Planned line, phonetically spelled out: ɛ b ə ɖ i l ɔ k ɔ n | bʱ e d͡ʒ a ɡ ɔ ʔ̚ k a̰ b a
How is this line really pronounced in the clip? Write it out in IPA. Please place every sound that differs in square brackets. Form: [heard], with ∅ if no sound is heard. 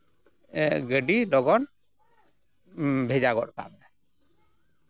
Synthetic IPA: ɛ [ɡ] ə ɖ i l ɔ [ɡ] ɔ n | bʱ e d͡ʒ a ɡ ɔ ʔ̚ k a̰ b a